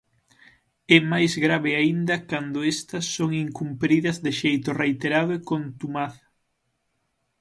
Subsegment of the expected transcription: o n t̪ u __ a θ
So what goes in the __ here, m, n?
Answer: m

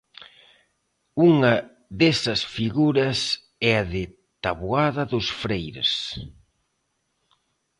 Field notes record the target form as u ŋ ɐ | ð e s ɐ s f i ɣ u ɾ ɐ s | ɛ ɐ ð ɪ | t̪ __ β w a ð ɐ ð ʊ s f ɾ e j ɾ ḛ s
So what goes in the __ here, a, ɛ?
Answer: a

